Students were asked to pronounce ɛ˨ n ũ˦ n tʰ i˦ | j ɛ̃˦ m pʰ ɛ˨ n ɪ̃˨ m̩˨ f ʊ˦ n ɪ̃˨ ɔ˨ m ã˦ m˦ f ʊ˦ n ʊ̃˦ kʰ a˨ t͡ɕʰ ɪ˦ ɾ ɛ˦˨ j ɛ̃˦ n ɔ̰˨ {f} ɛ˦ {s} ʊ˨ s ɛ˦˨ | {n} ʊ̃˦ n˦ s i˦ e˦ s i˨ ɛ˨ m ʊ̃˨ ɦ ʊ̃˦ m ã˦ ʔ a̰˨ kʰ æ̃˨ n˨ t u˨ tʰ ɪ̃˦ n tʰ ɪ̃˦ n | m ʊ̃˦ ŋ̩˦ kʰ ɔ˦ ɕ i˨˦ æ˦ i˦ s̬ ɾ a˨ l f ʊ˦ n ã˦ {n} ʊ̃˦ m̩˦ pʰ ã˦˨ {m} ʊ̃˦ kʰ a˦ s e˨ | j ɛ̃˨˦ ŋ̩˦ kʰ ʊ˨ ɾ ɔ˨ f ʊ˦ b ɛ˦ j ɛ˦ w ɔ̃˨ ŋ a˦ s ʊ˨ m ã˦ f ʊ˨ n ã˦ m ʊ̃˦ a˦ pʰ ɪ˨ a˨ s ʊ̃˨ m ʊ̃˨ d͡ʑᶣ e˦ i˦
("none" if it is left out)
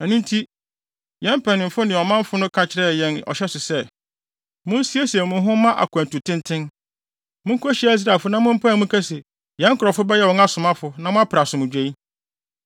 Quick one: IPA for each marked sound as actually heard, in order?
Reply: ɕ, s, m, m, m

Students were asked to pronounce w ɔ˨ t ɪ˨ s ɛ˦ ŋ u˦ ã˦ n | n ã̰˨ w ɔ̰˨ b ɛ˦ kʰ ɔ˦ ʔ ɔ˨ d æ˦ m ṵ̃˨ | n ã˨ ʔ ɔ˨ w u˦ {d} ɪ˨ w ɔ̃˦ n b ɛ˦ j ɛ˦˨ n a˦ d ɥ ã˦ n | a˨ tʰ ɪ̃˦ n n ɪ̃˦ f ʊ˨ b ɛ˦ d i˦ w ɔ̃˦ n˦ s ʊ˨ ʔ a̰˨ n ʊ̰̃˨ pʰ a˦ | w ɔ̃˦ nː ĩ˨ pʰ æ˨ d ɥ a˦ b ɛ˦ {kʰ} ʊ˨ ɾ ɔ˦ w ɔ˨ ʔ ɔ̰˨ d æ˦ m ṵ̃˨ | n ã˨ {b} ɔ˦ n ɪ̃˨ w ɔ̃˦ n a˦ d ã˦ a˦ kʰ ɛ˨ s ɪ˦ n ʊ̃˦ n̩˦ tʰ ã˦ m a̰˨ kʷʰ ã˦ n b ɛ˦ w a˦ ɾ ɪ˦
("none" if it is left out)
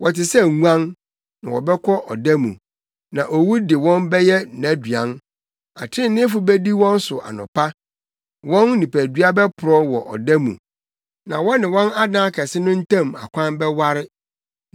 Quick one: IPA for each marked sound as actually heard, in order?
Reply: d, pʰ, w

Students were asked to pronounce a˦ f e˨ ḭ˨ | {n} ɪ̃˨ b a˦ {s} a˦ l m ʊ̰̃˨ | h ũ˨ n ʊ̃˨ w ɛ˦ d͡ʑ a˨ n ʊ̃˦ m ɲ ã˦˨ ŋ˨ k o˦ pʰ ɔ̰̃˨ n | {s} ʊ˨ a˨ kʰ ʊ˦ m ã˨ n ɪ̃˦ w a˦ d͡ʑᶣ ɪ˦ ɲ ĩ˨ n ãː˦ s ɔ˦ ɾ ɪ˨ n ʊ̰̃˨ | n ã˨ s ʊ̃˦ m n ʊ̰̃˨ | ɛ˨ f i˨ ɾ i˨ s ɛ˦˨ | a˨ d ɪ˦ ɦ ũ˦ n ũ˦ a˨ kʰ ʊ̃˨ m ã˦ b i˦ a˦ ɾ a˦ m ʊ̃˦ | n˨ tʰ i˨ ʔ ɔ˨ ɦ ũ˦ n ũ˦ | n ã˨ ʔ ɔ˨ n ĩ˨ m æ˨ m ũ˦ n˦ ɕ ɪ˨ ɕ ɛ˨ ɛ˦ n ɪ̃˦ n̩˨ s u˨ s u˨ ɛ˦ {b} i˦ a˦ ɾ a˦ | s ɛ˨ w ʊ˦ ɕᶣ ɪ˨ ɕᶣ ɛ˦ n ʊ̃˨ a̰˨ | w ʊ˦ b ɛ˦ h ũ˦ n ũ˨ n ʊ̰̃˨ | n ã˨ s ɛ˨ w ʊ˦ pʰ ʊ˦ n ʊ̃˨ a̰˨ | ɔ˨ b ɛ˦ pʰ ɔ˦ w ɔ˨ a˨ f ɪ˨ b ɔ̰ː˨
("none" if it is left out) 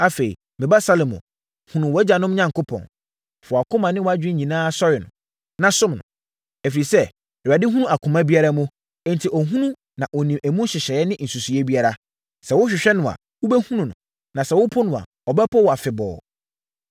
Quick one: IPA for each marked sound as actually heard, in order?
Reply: m, s, f, b

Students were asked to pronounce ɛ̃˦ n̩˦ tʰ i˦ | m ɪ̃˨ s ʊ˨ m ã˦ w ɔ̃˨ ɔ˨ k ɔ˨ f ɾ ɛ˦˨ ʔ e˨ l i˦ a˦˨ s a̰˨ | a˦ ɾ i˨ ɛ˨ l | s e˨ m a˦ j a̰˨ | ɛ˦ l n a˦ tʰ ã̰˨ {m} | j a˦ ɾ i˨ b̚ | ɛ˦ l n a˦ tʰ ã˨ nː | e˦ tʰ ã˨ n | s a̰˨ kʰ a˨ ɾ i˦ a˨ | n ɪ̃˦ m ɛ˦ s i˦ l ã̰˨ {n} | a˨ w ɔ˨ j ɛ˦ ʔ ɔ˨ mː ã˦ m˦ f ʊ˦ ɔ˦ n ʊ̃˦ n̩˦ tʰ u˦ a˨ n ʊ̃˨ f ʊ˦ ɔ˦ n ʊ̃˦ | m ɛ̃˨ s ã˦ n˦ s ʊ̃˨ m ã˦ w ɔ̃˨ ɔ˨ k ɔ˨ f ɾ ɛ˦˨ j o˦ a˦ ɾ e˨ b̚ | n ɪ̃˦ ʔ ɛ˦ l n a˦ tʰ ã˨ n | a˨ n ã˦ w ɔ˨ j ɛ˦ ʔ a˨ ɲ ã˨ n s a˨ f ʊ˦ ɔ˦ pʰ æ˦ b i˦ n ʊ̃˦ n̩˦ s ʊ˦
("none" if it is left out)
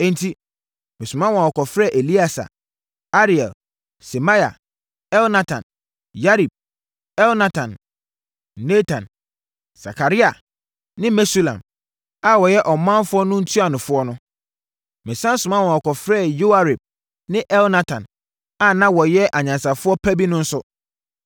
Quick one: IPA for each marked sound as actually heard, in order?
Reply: n, m

